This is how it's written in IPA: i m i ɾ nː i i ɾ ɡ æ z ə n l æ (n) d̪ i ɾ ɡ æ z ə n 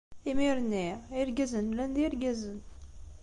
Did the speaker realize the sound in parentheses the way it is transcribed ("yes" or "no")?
yes